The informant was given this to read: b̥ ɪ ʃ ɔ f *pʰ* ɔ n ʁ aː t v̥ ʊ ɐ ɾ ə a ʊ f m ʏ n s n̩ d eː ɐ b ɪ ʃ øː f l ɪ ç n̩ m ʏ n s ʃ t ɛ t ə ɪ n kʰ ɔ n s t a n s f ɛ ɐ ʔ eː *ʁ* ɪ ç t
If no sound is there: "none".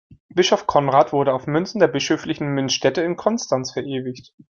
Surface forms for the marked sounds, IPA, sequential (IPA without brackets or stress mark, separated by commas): kʰ, v